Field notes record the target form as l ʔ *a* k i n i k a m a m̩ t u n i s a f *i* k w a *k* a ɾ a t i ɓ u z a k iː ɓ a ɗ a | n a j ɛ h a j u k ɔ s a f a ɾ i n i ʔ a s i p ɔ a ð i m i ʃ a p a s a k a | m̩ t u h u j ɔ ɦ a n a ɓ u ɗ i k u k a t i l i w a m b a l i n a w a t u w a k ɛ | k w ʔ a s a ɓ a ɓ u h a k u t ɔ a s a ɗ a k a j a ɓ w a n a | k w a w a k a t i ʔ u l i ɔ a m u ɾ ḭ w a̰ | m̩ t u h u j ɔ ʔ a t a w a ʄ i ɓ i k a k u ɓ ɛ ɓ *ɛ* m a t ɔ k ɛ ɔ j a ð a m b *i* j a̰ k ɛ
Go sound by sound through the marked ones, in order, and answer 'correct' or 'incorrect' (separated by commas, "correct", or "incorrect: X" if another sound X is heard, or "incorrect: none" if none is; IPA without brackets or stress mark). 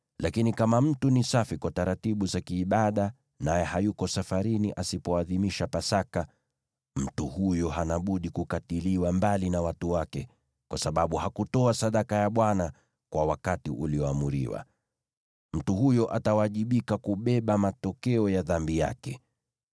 correct, correct, incorrect: t, incorrect: a, correct